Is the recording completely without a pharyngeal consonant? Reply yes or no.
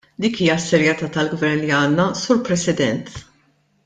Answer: yes